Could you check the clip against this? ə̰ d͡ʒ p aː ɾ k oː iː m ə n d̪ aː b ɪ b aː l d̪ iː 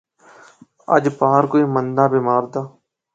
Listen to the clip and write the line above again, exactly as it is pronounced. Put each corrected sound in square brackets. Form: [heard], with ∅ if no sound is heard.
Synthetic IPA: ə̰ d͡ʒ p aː ɾ k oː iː m ə n d̪ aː b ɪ [m] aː [ɾ] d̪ [aː]